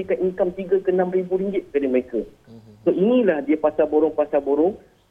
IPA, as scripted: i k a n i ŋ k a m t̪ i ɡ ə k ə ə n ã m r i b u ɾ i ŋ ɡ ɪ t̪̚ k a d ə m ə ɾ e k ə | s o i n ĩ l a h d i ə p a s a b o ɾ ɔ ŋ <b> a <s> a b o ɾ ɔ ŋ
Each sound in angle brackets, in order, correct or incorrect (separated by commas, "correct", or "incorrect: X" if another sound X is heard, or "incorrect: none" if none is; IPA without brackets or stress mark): incorrect: p, correct